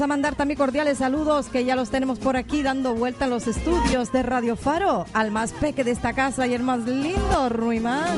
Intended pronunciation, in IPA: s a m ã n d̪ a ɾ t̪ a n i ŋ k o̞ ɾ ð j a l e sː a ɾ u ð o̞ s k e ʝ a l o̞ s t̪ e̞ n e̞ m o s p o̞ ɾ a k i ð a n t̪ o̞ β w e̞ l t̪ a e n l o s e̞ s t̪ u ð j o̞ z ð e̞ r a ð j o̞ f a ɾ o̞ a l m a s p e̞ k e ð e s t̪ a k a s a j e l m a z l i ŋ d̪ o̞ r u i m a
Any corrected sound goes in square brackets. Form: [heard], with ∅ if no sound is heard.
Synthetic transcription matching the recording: s a m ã n d̪ a ɾ t̪ a [m] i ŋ k o̞ ɾ ð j a l e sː a [l] u ð o̞ s k e ʝ a l o̞ s t̪ e̞ n e̞ m o s p o̞ ɾ a k i ð a n [d̪] o̞ β w e̞ l t̪ a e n l o s e̞ s t̪ u ð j o̞ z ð e̞ r a ð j o̞ f a ɾ o̞ a l m a s p e̞ k e ð e s t̪ a k a s a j e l m a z l i [n] d̪ o̞ r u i m a